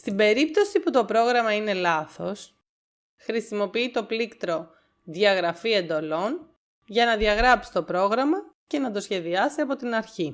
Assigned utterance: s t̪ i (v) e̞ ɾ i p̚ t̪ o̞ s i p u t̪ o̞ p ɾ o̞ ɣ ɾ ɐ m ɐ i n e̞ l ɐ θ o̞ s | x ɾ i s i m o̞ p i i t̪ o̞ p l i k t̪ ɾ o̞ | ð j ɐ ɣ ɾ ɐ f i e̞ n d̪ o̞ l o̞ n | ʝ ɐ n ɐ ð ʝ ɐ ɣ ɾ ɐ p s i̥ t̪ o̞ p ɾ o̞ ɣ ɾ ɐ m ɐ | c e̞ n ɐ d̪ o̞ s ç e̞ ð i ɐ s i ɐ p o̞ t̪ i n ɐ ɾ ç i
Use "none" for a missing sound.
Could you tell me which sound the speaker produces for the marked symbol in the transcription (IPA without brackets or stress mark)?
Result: b